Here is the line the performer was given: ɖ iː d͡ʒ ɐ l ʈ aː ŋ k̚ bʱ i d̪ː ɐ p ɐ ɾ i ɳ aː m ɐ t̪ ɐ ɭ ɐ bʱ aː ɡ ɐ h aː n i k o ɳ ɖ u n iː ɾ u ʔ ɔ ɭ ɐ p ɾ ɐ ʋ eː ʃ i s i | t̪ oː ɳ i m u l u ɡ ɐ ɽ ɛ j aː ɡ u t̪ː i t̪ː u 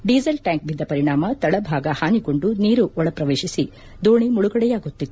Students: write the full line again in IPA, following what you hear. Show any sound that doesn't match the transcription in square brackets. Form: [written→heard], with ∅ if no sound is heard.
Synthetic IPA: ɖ iː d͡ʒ ɐ l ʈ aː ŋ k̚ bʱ i d̪ː ɐ p ɐ ɾ i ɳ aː m ɐ t̪ ɐ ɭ ɐ bʱ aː ɡ ɐ h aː n i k o ɳ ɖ u n iː ɾ u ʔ ɔ ɭ ɐ p ɾ ɐ ʋ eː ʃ i s i | [t̪→d̪] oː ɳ i m u [l→ɭ] u ɡ ɐ ɽ ɛ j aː ɡ u t̪ː i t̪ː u